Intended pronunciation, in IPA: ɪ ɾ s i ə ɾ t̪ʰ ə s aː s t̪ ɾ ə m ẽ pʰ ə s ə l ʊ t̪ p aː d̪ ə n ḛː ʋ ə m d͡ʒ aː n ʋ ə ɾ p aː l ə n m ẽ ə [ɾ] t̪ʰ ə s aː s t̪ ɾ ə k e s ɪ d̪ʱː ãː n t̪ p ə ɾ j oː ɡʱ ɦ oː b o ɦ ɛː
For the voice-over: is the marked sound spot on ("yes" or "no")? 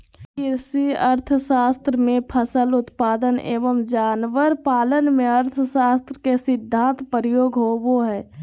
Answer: yes